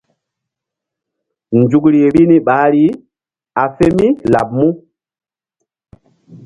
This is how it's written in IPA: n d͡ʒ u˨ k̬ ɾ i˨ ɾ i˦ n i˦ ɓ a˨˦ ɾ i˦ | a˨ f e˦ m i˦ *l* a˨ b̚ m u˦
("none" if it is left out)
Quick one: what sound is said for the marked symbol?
l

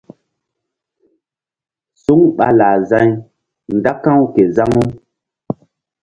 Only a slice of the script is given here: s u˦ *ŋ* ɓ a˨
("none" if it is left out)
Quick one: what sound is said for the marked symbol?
ŋ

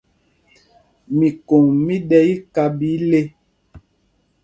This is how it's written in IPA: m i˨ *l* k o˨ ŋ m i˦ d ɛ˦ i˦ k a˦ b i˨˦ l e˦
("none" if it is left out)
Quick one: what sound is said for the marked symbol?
none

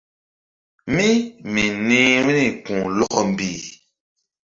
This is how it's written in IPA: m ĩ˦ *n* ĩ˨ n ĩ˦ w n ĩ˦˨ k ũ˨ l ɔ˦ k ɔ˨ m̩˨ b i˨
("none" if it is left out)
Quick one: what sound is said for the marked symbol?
m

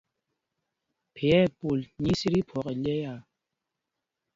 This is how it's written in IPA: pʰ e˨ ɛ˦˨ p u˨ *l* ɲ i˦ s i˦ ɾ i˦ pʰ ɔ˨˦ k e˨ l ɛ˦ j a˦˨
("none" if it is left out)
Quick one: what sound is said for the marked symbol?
l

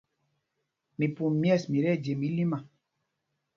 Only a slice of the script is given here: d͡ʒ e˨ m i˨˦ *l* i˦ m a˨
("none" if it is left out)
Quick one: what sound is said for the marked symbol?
l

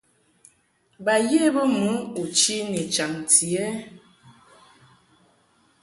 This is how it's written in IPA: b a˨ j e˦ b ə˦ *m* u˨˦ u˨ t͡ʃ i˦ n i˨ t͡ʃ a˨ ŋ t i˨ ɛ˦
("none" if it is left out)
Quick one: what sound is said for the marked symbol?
m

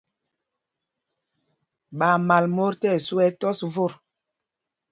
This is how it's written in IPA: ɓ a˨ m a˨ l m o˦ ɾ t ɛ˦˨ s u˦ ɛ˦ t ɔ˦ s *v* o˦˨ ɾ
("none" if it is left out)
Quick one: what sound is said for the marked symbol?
v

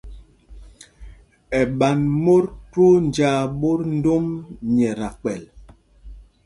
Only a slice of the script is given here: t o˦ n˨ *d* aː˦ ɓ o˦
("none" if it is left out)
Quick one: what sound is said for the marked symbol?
d͡ʒ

